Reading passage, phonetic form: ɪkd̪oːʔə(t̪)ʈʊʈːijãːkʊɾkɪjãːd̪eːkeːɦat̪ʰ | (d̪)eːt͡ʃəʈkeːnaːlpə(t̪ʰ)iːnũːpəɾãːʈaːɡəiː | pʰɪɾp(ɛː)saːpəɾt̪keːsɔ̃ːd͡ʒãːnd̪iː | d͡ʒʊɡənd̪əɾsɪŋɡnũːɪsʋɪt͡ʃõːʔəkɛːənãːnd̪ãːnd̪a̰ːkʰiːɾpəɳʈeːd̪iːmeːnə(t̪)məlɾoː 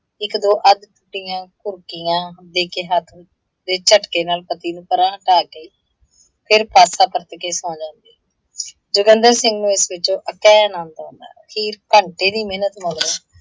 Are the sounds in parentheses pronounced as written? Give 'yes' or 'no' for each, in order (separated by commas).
no, yes, no, no, yes